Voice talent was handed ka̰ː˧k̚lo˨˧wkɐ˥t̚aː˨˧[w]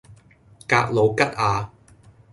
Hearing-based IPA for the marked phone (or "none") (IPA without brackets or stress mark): none